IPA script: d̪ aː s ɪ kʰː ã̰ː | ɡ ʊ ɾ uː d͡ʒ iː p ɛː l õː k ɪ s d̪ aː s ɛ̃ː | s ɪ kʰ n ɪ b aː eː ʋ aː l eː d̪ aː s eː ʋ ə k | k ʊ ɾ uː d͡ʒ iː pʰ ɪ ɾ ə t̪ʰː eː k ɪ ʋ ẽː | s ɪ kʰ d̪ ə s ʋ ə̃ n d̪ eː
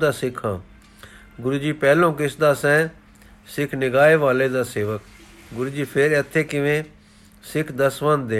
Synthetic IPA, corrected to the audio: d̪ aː s ɪ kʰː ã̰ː | ɡ ʊ ɾ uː d͡ʒ iː p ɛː l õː k ɪ s d̪ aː s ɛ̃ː | s ɪ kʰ n ɪ ɡ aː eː ʋ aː l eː d̪ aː s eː ʋ ə k | ɡ ʊ ɾ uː d͡ʒ iː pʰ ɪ ɾ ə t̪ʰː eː k ɪ ʋ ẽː | s ɪ kʰ d̪ ə s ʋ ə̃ n d̪ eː